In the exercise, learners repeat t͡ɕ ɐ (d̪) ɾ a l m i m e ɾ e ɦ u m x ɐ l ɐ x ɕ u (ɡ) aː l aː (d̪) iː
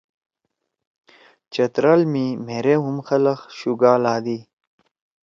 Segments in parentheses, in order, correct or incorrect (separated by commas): incorrect, correct, correct